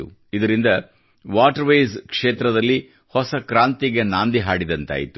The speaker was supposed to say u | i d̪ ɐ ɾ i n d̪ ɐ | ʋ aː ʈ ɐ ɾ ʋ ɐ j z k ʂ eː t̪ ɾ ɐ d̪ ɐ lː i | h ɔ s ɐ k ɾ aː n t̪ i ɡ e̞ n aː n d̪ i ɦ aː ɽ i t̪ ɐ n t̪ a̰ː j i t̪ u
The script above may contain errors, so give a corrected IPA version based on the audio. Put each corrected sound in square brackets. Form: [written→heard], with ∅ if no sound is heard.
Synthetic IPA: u | i d̪ ɐ ɾ i n d̪ ɐ | ʋ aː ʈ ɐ ɾ ʋ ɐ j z k ʂ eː t̪ ɾ ɐ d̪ ɐ lː i | h ɔ s ɐ k ɾ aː n t̪ i ɡ e̞ n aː n d̪ i ɦ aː ɽ i [t̪→d̪] ɐ n t̪ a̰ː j i t̪ u